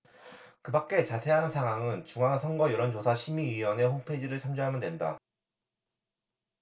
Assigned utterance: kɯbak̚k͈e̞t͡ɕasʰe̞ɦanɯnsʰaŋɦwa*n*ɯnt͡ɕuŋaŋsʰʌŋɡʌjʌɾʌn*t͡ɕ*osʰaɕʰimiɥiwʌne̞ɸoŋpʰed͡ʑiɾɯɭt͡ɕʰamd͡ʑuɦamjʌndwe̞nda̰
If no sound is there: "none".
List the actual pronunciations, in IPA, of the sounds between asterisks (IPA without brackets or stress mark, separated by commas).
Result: ŋ, t͡ɕ